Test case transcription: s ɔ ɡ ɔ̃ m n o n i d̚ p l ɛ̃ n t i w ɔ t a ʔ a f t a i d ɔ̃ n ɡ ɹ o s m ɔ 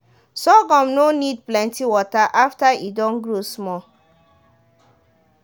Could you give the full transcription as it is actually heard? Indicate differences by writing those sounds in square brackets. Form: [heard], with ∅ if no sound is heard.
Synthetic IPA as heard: s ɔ ɡ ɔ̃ m n o n i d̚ p l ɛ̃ n t i w ɔ t a ʔ a f t a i d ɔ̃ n ɡ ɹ o s m ɔ